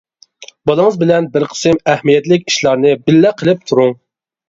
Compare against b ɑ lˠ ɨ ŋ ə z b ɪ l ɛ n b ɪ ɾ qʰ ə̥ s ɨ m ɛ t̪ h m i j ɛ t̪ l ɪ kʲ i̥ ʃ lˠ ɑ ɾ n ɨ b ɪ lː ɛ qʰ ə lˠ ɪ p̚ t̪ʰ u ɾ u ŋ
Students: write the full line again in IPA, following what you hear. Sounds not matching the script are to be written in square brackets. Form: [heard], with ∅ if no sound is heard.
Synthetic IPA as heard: b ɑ lˠ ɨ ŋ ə z b ɪ l ɛ n b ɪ ɾ qʰ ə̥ s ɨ m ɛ [∅] h m i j ɛ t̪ l ɪ kʲ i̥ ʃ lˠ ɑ ɾ n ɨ b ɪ lː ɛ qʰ ə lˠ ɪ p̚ t̪ʰ u ɾ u ŋ